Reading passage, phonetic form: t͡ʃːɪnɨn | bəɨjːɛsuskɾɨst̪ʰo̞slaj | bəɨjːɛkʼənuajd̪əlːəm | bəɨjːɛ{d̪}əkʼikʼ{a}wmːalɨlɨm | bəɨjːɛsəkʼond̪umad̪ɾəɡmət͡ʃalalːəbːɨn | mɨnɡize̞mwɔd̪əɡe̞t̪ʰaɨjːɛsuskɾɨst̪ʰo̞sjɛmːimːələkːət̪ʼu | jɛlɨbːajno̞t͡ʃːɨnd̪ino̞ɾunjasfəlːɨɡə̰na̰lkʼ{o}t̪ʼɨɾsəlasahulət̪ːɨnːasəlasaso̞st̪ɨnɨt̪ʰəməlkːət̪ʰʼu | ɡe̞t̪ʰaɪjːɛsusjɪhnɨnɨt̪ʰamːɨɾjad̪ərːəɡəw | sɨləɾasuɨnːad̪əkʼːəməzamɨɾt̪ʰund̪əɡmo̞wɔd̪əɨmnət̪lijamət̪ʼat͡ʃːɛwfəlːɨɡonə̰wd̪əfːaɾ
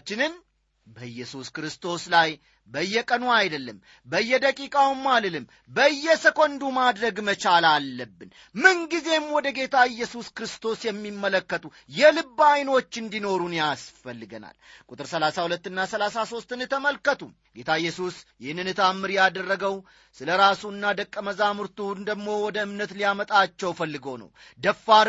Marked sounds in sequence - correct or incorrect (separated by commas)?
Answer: correct, correct, incorrect